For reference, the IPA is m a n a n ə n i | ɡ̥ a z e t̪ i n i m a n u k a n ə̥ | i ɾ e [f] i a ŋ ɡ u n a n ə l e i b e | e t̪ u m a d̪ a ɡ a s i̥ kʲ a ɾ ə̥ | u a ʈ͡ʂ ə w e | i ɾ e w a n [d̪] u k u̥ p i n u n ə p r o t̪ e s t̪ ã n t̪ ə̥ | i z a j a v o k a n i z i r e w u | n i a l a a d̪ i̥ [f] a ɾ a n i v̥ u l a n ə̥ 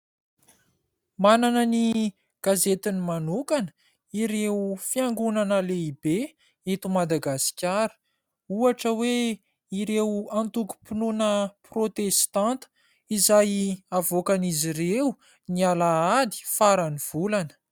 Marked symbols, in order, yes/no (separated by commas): yes, no, yes